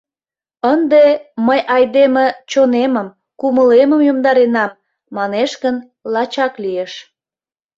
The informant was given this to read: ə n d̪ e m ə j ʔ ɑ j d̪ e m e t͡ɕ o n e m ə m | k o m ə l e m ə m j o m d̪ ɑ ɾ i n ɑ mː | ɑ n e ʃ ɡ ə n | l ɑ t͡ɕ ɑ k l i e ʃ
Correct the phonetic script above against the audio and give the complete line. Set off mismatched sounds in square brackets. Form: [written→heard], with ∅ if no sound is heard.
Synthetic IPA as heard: ə n d̪ e m ə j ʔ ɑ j d̪ e m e t͡ɕ o n e m ə m | k [o→u] m ə l e m ə m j o m d̪ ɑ ɾ [i→e] n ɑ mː | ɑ n e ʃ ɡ ə n | l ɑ t͡ɕ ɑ k l i e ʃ

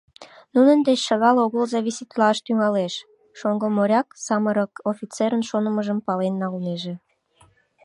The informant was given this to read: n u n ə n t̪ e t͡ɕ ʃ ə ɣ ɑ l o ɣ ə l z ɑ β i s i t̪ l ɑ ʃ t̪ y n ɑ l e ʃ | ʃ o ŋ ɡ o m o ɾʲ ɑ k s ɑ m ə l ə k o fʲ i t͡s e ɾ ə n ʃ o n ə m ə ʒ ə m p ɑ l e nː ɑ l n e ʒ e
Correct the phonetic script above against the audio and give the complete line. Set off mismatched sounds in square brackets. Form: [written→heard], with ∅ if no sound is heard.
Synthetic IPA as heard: n u n ə n [t̪→d̪] e t͡ɕ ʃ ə ɣ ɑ l o ɣ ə l z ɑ β i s i t̪ l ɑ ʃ t̪ y [n→ŋ] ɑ l e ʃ | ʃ o ŋ ɡ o m o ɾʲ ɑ k s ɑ m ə [l→ɾ] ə k o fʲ i t͡s e ɾ ə n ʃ o n ə m ə ʒ ə m p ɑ l e nː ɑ l n e ʒ e

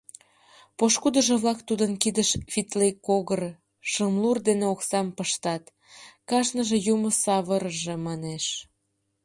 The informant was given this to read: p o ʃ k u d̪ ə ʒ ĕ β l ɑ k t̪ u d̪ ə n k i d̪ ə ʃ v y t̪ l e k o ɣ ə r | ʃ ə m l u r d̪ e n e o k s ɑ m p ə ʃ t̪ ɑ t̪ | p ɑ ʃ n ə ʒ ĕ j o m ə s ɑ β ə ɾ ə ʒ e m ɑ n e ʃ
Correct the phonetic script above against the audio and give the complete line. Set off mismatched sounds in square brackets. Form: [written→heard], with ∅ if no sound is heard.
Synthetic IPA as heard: p o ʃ k u d̪ ə ʒ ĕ β l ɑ k t̪ u d̪ ə n k i d̪ ə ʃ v [y→i] t̪ l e k o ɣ ə r | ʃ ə m l u r d̪ e n e o k s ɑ m p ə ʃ t̪ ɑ t̪ | [p→k] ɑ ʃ n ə ʒ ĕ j [o→u] m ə s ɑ β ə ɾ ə ʒ e m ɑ n e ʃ

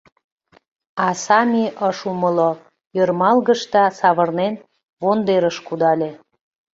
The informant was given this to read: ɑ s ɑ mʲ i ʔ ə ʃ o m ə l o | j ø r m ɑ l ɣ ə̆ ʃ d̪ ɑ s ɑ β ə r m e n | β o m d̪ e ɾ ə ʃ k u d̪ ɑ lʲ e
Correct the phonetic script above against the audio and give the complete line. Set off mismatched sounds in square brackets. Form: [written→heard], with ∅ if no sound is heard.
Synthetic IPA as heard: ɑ s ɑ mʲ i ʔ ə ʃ [o→u] m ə l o | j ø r m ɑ l ɣ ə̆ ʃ [d̪→t̪] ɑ s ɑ β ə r [m→n] e n | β o [m→n] d̪ e ɾ ə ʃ k u d̪ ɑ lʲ e

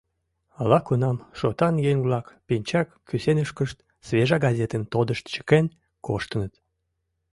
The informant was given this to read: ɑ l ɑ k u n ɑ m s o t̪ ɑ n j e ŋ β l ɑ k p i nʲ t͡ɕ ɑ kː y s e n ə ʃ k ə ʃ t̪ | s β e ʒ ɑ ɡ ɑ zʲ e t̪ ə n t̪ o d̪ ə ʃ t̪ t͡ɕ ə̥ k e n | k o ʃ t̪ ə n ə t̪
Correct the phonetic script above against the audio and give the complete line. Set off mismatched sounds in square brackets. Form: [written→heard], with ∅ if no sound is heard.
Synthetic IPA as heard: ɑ l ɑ k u n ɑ m [s→ʃ] o t̪ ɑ n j e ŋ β l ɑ k p i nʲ t͡ɕ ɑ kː y s e n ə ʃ k ə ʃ t̪ | s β e ʒ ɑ ɡ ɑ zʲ e t̪ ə n t̪ o d̪ ə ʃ t̪ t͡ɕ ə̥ k e n | k o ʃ t̪ ə n ə t̪

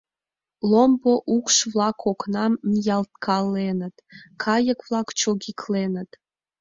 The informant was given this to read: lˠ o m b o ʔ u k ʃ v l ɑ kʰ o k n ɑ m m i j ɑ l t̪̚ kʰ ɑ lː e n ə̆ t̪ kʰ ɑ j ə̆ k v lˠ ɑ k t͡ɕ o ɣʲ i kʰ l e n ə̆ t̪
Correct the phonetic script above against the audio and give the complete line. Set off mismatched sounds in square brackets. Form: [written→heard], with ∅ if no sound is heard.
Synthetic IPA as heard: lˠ o m b o ʔ u k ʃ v l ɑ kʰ o k n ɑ m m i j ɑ l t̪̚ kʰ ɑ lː e n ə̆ t̪ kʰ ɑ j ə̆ k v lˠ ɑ k t͡ɕ o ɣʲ i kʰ l e n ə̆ t̪

